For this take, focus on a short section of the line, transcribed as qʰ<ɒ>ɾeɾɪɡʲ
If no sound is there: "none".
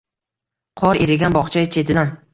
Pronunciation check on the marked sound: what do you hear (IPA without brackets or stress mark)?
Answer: ɒ